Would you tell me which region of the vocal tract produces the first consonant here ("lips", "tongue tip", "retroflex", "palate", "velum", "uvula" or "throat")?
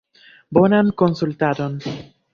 lips